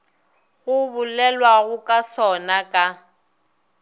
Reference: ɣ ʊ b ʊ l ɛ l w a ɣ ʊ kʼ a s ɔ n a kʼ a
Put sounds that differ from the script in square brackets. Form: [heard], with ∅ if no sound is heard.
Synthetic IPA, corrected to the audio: ɣ ʊ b ʊ l ɛ l w a ɣ ʊ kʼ a s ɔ n a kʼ a